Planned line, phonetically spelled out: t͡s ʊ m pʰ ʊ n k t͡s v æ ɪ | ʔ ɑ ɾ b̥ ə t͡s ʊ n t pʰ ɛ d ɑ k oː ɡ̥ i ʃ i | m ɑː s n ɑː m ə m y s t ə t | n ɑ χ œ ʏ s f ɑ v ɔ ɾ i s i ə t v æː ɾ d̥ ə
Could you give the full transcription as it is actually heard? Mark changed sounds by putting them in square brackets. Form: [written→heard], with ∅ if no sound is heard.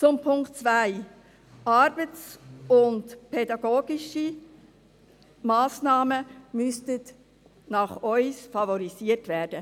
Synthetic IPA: t͡s ʊ m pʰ ʊ [n→ŋ] k t͡s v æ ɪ | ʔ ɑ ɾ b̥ ə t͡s ʊ n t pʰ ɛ d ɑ [k→ɡ] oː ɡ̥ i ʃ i | m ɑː s n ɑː m ə m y s t ə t | n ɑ χ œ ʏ s f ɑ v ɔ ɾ i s i ə t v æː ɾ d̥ ə